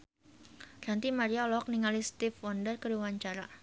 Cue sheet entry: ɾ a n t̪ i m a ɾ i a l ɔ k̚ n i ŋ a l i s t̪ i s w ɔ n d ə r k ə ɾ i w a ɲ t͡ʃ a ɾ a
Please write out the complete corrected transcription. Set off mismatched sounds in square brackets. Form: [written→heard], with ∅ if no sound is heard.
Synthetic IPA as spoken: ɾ a n t̪ i m a ɾ i a l ɔ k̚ n i ŋ a l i s t̪ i [s→f] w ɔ n d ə r k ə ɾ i w a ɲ t͡ʃ a ɾ a